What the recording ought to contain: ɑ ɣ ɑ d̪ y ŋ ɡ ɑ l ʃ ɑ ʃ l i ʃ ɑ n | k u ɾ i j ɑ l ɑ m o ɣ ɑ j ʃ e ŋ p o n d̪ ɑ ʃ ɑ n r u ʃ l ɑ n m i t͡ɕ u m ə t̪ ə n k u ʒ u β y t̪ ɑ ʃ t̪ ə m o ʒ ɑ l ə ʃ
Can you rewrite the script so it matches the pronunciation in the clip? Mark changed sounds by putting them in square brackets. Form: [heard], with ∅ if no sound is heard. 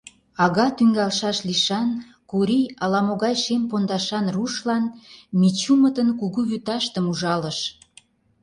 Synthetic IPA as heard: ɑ ɣ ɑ [t̪] y ŋ ɡ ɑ l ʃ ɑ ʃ l i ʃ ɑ n | k u ɾ i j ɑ l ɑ m o ɣ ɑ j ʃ e [m] p o n d̪ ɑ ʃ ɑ n r u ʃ l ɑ n m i t͡ɕ u m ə t̪ ə n k u [ɣ] u β y t̪ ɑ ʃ t̪ ə m [u] ʒ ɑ l ə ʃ